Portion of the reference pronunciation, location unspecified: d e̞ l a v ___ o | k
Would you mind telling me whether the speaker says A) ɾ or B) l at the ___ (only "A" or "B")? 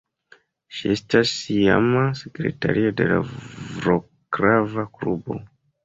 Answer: A